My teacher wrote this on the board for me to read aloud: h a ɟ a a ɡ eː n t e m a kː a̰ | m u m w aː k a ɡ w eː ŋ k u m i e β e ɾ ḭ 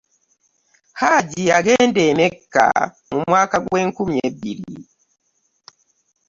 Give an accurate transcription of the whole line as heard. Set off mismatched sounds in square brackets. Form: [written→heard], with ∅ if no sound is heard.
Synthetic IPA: h a ɟ [a→i] a ɡ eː n [t→d] e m [a→e] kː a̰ | m u m w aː k a ɡ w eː ŋ k u m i e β [e→i] ɾ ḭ